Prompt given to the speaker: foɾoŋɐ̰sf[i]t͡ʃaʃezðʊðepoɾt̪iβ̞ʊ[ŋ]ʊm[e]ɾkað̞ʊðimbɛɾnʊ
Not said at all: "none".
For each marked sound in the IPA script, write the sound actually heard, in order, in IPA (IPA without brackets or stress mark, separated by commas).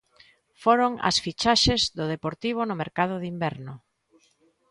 i, n, e